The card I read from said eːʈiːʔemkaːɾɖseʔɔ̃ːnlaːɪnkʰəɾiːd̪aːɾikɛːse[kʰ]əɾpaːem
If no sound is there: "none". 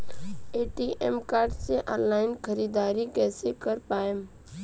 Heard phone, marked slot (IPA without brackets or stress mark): k